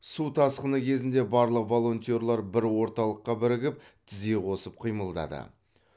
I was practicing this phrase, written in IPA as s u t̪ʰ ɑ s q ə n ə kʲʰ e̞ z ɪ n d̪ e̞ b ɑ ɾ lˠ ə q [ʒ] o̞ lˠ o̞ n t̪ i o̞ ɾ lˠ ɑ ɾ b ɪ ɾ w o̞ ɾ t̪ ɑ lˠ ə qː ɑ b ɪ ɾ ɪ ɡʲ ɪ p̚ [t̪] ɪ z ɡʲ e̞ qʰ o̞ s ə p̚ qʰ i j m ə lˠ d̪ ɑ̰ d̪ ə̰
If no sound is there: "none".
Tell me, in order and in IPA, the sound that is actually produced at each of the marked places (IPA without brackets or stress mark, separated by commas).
v, t̪ʰ